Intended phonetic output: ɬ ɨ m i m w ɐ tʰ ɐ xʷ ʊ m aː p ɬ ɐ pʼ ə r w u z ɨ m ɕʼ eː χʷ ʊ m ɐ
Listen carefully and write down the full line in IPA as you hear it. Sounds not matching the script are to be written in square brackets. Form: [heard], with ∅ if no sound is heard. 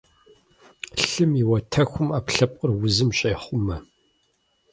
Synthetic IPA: ɬ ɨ m i [∅] w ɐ tʰ ɐ xʷ ʊ m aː p ɬ ɐ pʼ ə r w [ʊ] z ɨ m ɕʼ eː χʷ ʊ m ɐ